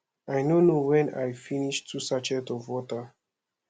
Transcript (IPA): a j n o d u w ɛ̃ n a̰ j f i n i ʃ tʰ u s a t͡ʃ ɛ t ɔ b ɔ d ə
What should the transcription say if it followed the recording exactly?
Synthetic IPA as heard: a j n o n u w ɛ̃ n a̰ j f i n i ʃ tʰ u s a t͡ʃ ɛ t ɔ v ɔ t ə